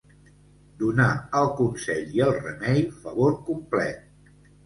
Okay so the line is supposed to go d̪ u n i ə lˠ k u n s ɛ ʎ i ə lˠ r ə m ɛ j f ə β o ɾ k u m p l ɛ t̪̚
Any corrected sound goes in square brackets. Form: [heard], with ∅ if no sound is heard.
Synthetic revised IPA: d̪ u n [a] ə lˠ k u n s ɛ ʎ i ə lˠ r ə m ɛ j f ə β o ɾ k u m p l ɛ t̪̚